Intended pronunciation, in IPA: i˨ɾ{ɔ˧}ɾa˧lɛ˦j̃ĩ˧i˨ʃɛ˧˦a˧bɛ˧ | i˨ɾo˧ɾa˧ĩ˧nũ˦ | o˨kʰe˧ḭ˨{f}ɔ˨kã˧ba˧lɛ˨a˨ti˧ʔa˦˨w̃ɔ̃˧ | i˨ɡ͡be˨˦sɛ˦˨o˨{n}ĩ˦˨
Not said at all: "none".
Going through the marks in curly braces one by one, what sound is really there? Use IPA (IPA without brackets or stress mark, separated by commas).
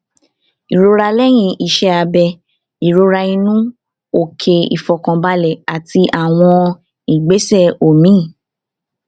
o˧, f, m